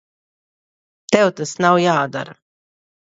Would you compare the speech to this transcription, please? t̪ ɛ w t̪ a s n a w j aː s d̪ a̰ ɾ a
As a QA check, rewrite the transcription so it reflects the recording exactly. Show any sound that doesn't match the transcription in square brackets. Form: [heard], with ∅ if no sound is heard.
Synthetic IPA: t̪ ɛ w t̪ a s n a w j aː [∅] d̪ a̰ ɾ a